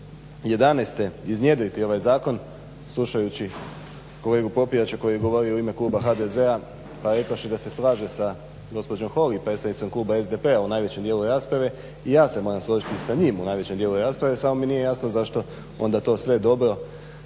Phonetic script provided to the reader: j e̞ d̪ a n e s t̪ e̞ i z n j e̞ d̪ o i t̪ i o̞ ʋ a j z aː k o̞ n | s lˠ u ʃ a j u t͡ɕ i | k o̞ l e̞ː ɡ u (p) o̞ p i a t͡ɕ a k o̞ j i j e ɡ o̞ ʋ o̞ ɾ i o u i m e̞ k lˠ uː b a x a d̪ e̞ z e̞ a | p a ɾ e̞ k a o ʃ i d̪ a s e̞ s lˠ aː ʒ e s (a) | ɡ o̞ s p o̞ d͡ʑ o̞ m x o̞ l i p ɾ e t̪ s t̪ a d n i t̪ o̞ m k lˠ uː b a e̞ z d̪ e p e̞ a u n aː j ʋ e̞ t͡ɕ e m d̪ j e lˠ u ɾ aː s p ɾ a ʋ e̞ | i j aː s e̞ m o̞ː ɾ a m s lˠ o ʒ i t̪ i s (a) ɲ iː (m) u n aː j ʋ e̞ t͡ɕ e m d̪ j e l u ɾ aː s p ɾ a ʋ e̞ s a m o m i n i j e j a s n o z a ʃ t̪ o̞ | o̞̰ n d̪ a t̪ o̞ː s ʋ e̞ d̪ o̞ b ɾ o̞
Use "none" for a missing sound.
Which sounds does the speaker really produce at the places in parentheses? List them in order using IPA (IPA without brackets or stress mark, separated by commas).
p, a, a, m